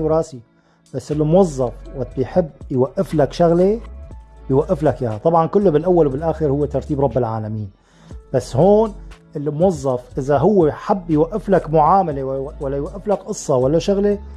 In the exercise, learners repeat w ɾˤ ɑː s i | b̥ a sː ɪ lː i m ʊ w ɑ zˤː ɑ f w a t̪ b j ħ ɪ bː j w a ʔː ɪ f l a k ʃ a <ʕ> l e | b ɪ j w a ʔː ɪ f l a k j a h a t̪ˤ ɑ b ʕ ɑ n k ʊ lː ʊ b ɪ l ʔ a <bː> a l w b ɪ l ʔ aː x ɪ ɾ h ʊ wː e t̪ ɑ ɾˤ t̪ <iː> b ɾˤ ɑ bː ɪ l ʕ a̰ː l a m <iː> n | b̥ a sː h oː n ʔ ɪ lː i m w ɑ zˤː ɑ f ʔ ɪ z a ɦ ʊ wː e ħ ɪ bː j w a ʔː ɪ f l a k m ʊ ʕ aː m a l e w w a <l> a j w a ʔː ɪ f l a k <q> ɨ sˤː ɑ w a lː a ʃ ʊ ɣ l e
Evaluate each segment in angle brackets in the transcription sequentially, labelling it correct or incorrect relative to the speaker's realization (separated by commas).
incorrect, incorrect, correct, correct, incorrect, incorrect